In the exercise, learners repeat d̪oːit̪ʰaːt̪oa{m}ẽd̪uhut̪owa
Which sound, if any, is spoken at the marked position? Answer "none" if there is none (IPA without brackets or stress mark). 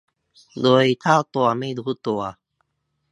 m